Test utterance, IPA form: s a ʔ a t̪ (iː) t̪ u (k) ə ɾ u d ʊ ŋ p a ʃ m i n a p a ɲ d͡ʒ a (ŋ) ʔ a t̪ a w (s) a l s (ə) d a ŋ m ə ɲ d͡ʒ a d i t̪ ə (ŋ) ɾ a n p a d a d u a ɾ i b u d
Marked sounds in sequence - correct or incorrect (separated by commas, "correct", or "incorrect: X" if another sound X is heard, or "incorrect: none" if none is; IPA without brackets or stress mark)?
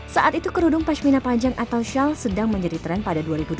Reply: incorrect: i, correct, correct, incorrect: ʃ, correct, incorrect: none